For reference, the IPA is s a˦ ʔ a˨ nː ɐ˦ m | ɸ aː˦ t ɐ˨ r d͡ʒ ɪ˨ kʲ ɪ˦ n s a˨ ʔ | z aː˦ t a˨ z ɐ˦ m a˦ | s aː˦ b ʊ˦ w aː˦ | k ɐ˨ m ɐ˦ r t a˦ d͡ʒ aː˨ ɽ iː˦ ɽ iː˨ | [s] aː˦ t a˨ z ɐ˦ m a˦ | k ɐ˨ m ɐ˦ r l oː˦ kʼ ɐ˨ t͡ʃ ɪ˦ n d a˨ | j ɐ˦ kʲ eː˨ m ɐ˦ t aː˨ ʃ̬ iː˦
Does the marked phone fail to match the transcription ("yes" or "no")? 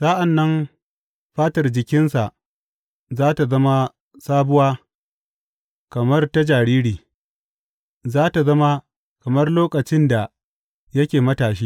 yes